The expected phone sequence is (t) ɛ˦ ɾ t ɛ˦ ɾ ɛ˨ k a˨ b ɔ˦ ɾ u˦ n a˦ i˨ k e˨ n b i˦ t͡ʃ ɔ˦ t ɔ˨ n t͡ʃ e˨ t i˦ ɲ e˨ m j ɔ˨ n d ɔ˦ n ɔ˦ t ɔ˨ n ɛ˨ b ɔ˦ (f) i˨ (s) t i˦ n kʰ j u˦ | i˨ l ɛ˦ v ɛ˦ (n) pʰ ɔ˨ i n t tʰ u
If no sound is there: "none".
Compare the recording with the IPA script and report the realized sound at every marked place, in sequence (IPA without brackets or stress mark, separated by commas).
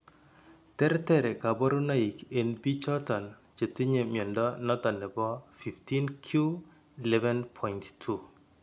t, f, f, n